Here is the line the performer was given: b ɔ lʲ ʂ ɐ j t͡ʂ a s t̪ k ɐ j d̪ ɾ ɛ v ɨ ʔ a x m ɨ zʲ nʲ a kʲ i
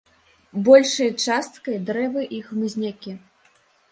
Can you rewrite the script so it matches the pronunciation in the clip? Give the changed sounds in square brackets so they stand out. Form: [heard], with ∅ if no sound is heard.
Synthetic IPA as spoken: b ɔ lʲ ʂ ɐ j t͡ʂ a s t̪ k ɐ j d̪ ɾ ɛ v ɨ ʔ [i] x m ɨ zʲ nʲ a kʲ i